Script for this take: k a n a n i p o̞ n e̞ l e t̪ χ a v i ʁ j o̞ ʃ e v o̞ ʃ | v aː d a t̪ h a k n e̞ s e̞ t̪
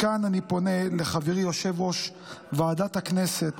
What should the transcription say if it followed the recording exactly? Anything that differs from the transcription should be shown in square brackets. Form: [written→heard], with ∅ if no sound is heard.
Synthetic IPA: k a n a n i p o̞ n e̞ l e [t̪→∅] χ a v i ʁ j o̞ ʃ e v o̞ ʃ | v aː d a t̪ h a k n e̞ s e̞ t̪